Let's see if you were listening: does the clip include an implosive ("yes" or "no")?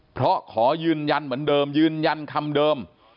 yes